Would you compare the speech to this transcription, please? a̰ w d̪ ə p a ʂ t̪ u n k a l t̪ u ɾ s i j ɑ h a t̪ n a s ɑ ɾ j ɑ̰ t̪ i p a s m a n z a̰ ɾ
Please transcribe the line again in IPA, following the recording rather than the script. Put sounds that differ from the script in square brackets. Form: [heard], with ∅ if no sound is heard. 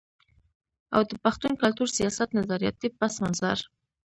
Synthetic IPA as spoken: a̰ w d̪ ə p a [x] t̪ u n k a l t̪ u ɾ s i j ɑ [s] a t̪ n a [z] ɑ ɾ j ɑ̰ t̪ i p a s m a n z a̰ ɾ